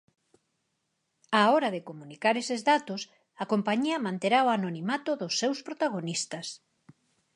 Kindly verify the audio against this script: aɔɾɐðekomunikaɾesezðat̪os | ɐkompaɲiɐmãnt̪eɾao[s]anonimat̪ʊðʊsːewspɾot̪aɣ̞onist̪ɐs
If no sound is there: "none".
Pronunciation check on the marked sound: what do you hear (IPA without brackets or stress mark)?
none